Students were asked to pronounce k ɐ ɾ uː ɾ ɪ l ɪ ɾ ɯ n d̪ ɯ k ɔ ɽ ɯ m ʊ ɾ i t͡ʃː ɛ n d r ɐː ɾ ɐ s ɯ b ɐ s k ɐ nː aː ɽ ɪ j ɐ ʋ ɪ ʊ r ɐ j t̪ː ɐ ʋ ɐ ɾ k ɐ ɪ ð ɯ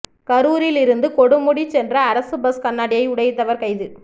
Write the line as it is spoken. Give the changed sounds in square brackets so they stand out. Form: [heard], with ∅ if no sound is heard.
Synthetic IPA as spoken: k ɐ ɾ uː ɾ ɪ l ɪ ɾ ɯ n d̪ ɯ k ɔ ɽ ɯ m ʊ [ɽ] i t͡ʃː ɛ n d r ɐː ɾ ɐ s ɯ b ɐ s k ɐ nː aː ɽ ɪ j ɐ [∅] ɪ ʊ [ɽ] ɐ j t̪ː ɐ ʋ ɐ ɾ k ɐ ɪ ð ɯ